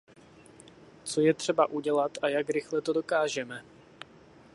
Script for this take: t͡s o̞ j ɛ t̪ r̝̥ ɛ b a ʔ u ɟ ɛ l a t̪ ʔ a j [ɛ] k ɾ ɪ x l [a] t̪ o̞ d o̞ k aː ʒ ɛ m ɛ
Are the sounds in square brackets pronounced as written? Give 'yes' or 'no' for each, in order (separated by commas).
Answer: no, no